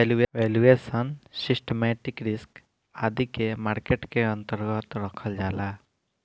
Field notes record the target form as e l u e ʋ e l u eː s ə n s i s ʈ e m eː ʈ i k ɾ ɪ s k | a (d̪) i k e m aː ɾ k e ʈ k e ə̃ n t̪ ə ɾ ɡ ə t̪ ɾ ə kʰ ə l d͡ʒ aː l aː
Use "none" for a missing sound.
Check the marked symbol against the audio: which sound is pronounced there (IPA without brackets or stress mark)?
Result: d̪